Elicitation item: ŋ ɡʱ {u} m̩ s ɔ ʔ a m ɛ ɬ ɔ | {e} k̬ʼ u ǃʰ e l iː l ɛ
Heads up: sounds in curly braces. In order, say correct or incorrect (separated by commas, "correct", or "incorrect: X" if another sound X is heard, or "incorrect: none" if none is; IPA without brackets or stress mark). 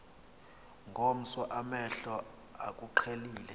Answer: incorrect: o, incorrect: a